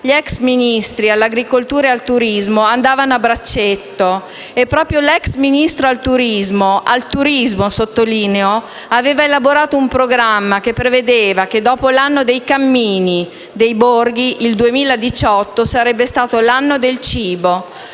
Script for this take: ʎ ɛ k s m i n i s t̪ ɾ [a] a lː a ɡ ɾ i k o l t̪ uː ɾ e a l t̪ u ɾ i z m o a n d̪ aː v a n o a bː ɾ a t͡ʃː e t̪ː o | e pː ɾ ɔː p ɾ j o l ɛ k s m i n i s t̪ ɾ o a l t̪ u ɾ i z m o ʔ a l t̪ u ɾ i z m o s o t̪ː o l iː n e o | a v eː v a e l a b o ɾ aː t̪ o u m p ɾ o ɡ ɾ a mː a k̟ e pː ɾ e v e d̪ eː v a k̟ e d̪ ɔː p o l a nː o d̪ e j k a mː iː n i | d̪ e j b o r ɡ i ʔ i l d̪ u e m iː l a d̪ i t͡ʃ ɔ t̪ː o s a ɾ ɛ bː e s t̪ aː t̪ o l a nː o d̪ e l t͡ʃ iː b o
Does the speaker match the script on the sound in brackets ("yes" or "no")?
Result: no